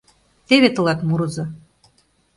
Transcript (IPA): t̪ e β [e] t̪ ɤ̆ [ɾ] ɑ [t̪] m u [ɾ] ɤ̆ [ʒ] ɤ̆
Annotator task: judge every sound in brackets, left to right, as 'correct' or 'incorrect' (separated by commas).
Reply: correct, incorrect, correct, correct, incorrect